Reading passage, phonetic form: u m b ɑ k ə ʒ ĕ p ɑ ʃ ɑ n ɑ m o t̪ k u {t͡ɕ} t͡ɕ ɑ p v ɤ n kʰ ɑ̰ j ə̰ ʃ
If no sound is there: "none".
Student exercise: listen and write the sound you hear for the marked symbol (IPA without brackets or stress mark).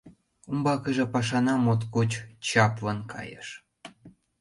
t͡ɕ